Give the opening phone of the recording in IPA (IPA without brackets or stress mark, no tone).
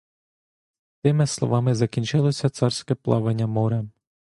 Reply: t̪